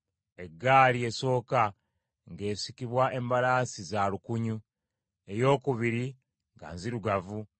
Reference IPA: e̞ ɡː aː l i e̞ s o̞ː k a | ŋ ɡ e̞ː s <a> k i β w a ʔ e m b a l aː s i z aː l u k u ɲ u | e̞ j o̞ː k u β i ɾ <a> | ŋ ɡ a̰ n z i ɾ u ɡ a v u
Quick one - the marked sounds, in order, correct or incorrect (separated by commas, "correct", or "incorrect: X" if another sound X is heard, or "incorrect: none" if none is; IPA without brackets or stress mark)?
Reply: incorrect: i, incorrect: i